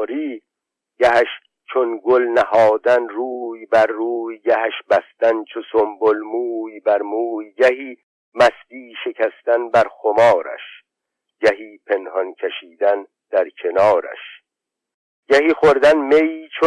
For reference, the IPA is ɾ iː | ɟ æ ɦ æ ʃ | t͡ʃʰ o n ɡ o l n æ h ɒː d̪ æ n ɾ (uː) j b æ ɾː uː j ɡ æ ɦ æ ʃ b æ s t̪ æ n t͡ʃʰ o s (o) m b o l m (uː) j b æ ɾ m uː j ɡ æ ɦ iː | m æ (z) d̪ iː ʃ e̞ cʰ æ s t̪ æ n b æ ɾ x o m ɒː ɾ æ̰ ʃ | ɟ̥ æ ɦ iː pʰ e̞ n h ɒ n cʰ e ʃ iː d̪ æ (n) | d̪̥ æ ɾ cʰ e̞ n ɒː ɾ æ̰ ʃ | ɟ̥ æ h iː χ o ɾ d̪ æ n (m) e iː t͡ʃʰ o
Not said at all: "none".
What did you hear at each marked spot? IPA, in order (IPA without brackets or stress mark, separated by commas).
uː, o, uː, s, n, m